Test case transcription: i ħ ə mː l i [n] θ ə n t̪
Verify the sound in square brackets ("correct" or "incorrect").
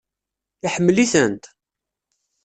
incorrect